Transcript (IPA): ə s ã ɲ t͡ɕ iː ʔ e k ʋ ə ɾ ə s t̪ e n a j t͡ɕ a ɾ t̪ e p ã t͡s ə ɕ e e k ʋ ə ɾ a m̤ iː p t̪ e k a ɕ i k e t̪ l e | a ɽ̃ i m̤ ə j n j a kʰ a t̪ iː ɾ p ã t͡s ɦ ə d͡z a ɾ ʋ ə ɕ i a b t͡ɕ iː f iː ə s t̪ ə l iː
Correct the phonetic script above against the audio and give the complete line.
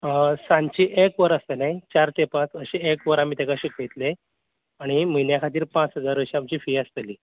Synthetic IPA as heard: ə s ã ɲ t͡ɕ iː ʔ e k ʋ ə ɾ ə s t̪ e n a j t͡ɕ a ɾ t̪ e p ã t͡s ə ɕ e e k ʋ ə ɾ a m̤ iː t̪ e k a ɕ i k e t̪ l e | a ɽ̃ i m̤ ə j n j a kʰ a t̪ iː ɾ p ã t͡s ɦ ə d͡z a ɾ ʋ ə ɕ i a m t͡ɕ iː f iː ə s t̪ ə l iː